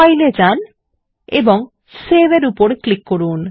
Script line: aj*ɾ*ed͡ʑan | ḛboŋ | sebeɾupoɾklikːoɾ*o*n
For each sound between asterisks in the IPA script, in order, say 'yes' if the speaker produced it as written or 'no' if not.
no, no

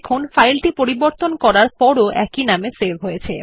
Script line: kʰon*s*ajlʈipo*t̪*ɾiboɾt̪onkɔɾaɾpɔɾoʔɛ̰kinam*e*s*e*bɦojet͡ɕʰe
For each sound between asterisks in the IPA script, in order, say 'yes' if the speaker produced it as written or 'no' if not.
no, no, yes, yes

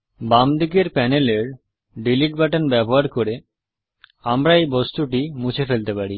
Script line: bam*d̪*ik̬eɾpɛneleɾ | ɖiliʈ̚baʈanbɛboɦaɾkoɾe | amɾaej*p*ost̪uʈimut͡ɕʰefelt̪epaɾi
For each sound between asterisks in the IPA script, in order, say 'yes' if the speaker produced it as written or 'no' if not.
yes, no

